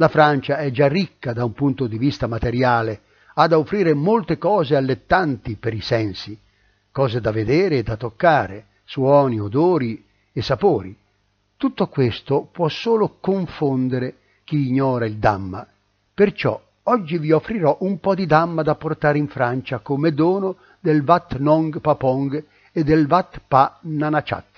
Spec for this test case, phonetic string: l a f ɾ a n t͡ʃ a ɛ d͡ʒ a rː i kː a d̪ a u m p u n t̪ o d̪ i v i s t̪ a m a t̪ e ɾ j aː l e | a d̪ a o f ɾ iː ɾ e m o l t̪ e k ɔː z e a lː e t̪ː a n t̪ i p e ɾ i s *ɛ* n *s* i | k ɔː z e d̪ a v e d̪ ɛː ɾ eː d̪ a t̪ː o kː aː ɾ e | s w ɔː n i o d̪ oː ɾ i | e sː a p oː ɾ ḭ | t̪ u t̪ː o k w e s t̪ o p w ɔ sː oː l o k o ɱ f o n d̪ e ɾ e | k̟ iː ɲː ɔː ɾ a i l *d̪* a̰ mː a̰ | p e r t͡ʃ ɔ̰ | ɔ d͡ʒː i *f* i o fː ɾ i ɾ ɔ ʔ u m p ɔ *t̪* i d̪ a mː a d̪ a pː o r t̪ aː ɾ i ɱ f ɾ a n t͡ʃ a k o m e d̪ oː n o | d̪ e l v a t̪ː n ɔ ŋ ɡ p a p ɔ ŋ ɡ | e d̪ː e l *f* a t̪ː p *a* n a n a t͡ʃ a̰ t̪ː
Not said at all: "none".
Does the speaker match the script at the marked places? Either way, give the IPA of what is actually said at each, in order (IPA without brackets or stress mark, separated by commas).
ɛ, s, d̪, v, d̪, v, a